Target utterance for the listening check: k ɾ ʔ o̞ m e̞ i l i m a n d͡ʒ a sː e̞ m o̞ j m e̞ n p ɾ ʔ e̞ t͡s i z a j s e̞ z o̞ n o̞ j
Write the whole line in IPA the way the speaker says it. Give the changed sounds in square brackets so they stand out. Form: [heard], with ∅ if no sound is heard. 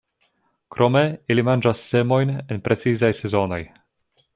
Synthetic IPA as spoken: k ɾ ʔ o̞ m e̞ i l i m a n d͡ʒ a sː e̞ m o̞ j [n] e̞ n p ɾ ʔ e̞ t͡s i z a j s e̞ z o̞ n o̞ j